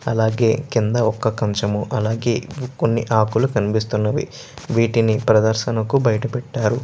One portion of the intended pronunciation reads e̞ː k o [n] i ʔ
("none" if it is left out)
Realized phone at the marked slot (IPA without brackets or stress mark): nː